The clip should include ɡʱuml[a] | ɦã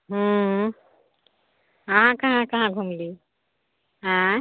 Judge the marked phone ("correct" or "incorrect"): incorrect